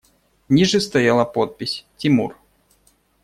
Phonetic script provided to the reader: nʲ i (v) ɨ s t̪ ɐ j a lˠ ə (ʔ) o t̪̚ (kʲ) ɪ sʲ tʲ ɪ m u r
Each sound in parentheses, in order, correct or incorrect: incorrect: ʐ, incorrect: p, incorrect: pʲ

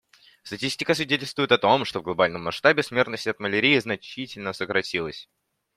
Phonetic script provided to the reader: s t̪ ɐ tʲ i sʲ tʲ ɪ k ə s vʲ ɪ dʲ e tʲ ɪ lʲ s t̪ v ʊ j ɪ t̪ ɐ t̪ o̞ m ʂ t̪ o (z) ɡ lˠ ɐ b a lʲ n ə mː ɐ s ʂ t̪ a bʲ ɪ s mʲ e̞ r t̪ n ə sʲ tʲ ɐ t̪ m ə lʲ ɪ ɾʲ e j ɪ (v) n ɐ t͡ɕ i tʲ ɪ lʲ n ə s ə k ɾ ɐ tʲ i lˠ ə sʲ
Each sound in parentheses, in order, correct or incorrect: incorrect: v, incorrect: z

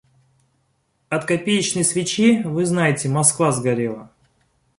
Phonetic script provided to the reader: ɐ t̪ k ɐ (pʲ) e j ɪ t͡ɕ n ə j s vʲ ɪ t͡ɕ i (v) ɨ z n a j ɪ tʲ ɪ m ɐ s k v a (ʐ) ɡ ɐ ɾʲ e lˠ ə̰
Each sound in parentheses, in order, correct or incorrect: correct, correct, incorrect: z

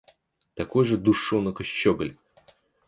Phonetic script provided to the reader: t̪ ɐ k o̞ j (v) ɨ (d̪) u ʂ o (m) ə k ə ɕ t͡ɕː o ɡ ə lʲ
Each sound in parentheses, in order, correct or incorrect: incorrect: ʐ, correct, incorrect: n

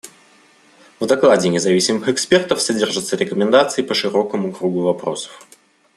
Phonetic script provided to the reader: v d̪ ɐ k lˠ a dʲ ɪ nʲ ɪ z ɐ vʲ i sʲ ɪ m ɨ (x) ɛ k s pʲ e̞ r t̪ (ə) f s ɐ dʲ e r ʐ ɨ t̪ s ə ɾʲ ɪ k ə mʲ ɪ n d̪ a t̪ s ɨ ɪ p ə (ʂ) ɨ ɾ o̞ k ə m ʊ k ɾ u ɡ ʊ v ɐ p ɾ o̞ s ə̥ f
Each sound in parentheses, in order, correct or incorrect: correct, correct, correct

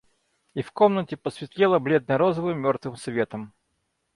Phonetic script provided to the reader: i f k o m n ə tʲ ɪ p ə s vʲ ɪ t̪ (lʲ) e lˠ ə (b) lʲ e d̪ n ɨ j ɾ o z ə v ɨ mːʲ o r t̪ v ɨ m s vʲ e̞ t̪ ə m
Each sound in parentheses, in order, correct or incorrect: correct, correct

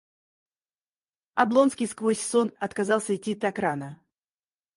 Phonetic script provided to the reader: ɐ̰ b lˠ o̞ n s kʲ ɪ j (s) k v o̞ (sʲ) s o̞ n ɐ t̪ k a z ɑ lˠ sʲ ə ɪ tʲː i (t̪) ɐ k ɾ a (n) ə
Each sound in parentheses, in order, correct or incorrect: correct, correct, correct, correct

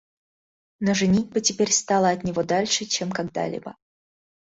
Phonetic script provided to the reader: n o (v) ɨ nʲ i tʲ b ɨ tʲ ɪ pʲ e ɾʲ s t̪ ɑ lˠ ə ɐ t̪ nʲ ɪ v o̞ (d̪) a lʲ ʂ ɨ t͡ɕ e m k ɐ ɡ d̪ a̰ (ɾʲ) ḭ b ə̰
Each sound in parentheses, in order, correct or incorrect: incorrect: ʐ, correct, incorrect: lʲ

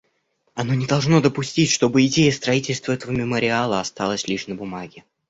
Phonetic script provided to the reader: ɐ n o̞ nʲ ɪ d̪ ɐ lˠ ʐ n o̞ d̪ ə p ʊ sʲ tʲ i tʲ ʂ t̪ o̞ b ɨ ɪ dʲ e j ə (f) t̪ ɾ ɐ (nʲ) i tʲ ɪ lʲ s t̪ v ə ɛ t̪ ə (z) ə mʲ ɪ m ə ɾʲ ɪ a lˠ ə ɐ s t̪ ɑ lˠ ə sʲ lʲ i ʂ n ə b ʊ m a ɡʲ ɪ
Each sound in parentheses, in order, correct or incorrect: incorrect: s, incorrect: none, incorrect: v

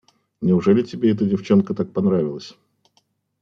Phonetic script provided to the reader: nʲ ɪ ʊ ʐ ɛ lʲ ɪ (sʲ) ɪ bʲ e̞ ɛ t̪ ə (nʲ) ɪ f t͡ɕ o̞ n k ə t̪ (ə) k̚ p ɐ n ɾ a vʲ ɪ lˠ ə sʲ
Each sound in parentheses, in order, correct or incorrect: incorrect: tʲ, incorrect: dʲ, incorrect: a

